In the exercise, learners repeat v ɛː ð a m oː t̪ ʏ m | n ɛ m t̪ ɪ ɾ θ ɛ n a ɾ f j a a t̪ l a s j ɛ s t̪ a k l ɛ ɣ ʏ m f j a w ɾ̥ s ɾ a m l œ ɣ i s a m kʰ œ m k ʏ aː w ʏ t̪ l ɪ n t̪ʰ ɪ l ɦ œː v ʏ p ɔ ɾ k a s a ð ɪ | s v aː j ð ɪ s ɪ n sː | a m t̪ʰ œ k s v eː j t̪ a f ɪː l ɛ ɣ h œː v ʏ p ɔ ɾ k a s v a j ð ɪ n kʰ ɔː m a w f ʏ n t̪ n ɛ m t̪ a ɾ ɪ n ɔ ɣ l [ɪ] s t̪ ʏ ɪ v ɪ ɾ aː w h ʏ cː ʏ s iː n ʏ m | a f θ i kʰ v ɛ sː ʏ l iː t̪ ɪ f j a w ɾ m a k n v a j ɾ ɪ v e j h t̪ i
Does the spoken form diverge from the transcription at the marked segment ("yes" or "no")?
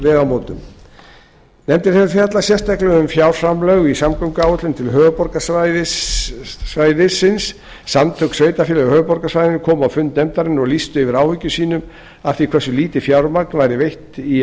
yes